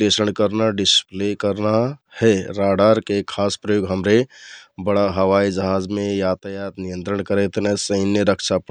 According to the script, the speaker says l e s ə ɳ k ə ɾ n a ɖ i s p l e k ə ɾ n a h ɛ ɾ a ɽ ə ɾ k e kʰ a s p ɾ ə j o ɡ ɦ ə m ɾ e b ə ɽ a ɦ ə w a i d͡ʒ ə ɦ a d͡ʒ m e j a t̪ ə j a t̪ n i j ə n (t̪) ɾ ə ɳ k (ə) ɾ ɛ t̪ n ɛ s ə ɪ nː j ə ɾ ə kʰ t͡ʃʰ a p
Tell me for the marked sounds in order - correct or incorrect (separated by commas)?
correct, correct